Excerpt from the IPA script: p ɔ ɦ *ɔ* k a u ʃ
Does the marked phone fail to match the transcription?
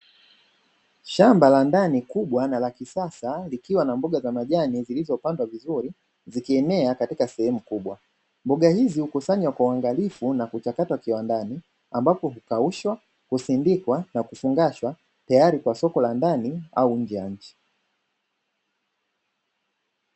yes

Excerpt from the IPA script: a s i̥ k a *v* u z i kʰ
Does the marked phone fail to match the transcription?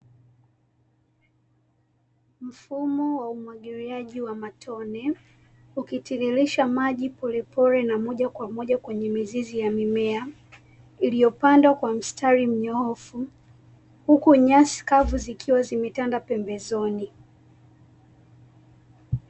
no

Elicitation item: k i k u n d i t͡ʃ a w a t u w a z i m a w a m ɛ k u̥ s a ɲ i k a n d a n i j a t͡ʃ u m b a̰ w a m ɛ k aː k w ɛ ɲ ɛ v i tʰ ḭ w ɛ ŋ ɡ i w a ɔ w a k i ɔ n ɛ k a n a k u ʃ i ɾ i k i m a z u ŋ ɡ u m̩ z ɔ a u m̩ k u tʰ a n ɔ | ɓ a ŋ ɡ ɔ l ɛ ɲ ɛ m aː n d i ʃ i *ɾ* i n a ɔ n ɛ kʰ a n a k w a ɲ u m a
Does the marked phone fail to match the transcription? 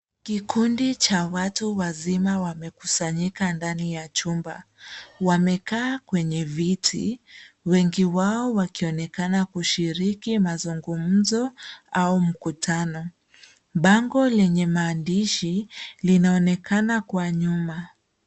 yes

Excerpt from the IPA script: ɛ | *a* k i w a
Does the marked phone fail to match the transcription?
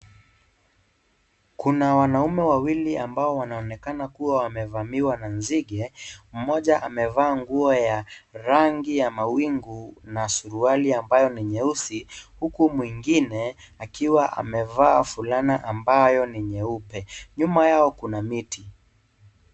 no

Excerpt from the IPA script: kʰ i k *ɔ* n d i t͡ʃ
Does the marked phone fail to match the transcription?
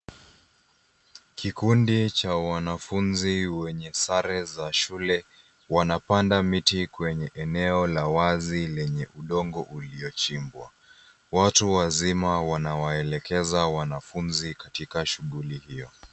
yes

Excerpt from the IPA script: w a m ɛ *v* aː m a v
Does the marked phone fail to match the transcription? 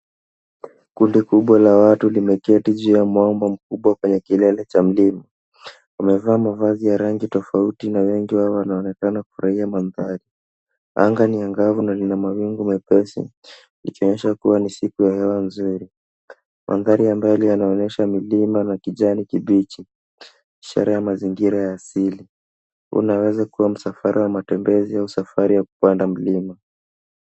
no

